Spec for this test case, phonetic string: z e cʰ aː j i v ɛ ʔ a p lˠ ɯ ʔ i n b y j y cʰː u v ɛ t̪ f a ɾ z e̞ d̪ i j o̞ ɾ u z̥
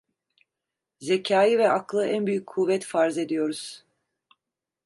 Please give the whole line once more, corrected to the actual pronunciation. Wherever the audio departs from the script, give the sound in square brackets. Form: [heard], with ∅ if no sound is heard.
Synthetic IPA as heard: z e cʰ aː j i v ɛ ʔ a [k] lˠ ɯ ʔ [æ] n b y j y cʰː u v ɛ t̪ f a ɾ z e̞ d̪ i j o̞ ɾ u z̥